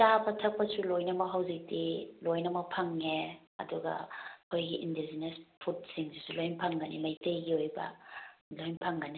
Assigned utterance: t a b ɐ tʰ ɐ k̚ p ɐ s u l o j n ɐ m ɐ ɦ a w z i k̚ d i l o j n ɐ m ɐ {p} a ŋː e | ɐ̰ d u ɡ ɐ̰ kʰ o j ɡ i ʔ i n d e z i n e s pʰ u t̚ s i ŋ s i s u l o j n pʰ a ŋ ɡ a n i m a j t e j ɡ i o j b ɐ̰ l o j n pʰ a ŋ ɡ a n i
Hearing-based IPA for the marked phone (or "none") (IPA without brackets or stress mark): pʰ